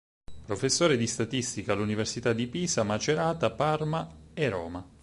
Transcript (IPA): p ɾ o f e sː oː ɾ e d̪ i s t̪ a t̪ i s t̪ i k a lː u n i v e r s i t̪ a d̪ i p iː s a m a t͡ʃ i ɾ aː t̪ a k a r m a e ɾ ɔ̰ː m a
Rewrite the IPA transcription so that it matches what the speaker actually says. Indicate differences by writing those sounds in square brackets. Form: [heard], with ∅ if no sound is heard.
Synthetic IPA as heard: p ɾ o f e sː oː ɾ e d̪ i s t̪ a t̪ i s t̪ i k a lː u n i v e r s i t̪ a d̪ i p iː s a m a t͡ʃ [e] ɾ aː t̪ a [p] a r m a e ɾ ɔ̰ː m a